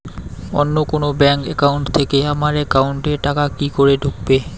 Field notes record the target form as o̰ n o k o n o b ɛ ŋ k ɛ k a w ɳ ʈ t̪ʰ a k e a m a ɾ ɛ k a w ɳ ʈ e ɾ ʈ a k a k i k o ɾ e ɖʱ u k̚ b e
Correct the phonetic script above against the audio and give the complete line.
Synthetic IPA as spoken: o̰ nː o k o n o b ɛ ŋ k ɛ k a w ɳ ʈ t̪ʰ e k e a m a ɾ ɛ k a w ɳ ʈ e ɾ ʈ a k a k i k o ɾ e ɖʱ u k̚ b e